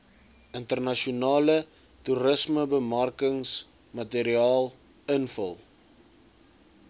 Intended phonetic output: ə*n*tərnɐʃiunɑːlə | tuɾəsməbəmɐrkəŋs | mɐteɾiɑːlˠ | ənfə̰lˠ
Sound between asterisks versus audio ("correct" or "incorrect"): correct